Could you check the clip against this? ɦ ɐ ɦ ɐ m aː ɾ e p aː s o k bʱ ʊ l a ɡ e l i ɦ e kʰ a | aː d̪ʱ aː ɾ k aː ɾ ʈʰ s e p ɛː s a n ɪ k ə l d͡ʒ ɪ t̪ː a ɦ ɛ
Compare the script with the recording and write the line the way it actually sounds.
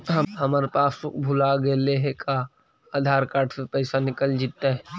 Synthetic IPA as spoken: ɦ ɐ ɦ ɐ m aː ɾ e p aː s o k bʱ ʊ l a ɡ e l e ɦ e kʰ a | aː d̪ʱ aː ɾ k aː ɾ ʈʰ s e p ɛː s a n ɪ k ə l d͡ʒ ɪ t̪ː a ɦ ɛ